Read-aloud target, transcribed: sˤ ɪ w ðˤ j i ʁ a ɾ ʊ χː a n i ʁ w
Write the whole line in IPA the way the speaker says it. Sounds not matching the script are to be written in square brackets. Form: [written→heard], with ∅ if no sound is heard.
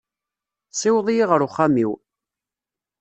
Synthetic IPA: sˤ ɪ w ðˤ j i ʁ [a→ə] ɾ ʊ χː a [n→m] i [ʁ→∅] w